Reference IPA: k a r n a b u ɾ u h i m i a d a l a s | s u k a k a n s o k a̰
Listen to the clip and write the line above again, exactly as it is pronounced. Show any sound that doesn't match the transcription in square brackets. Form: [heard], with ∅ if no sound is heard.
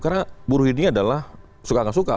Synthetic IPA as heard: k a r n a b u ɾ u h i [n] i a d a l a [h] | s u k a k a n s [u] k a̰